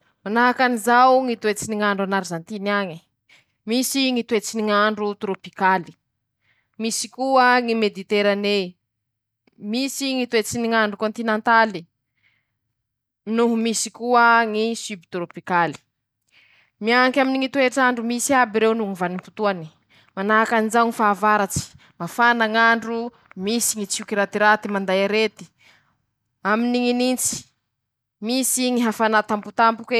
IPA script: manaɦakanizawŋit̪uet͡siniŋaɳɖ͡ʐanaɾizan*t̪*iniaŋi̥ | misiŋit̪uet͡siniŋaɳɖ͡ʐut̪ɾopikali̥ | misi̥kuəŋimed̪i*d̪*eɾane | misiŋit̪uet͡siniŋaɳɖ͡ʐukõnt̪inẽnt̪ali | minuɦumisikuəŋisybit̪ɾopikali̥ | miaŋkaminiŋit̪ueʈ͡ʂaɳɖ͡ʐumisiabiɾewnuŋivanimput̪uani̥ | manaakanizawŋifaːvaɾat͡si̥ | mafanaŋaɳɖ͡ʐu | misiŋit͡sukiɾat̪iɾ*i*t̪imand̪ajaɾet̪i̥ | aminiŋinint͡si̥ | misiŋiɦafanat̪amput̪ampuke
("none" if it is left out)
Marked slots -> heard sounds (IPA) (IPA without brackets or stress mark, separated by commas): t̪, t̪, a